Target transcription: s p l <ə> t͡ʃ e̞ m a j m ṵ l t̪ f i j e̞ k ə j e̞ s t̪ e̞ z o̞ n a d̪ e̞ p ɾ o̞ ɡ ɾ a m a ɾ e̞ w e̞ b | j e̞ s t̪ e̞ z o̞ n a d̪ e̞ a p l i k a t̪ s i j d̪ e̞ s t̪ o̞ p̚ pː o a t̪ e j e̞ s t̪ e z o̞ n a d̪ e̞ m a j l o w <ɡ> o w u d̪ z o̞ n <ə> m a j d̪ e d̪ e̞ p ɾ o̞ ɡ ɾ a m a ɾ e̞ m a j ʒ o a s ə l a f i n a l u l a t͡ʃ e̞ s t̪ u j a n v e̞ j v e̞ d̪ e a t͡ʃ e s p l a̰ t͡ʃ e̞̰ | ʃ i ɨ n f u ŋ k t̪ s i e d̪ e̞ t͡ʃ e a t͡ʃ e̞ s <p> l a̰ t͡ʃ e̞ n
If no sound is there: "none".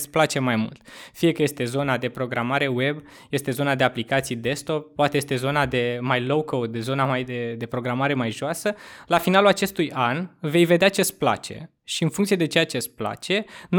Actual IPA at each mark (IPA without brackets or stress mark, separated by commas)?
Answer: a, k, a, p